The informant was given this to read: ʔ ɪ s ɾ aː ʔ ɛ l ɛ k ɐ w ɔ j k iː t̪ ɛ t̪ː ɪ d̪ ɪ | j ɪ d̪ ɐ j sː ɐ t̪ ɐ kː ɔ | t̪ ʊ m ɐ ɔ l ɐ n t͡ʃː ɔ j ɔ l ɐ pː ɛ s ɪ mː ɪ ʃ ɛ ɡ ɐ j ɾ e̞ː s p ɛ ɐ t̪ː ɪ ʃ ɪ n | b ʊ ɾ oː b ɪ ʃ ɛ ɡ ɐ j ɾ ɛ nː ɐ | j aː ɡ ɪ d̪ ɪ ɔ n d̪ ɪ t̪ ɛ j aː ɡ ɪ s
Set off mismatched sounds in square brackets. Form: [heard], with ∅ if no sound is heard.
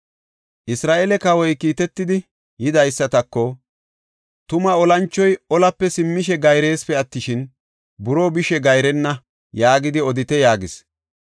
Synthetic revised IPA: ʔ ɪ s ɾ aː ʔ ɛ l ɛ k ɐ w ɔ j k iː t̪ ɛ t̪ː ɪ d̪ ɪ | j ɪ d̪ ɐ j sː ɐ t̪ ɐ kː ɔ | t̪ ʊ m ɐ ɔ l ɐ n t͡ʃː ɔ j ɔ l ɐ pː ɛ s ɪ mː ɪ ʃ ɛ ɡ ɐ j ɾ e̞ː s p ɛ ɐ t̪ː ɪ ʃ ɪ n | b ʊ ɾ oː b ɪ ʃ ɛ ɡ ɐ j ɾ ɛ nː ɐ | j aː ɡ ɪ d̪ ɪ ɔ [∅] d̪ ɪ t̪ ɛ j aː ɡ ɪ s